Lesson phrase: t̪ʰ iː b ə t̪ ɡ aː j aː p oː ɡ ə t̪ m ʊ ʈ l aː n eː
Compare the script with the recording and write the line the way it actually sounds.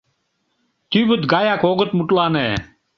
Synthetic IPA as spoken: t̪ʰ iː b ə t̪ ɡ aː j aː k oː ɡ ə t̪ m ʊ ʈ l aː n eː